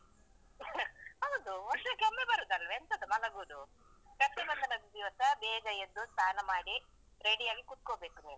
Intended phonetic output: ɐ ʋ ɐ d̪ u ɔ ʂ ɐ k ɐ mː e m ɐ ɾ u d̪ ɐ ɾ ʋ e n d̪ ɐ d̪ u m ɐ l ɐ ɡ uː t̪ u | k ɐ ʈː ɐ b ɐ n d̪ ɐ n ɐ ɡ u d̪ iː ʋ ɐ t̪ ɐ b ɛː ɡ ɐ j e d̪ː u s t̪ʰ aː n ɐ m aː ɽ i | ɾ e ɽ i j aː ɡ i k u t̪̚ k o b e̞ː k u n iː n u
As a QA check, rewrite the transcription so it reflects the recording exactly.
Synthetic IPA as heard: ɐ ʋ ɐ d̪ u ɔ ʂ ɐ k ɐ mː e b ɐ ɾ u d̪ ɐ l ʋ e n t̪ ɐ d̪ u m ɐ l ɐ ɡ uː d̪ u | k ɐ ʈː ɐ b ɐ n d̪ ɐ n ɐ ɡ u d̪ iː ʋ ɐ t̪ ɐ b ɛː ɡ ɐ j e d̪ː u s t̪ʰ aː n ɐ m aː ɽ i | ɾ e ɽ i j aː ɡ i k u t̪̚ k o b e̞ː k u n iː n u